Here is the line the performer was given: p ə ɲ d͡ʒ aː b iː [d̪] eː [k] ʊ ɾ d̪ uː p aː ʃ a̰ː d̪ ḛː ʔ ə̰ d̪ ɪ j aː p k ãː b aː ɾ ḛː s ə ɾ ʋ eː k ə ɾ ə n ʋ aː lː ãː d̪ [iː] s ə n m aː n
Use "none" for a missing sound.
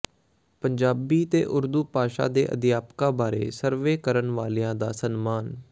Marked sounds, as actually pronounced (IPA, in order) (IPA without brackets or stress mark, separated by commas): t̪, ʔ, aː